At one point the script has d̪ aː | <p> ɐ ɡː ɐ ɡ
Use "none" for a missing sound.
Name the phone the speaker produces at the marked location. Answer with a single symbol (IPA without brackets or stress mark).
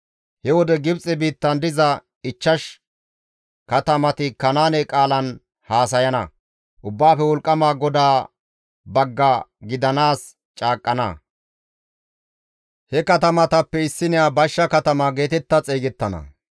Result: b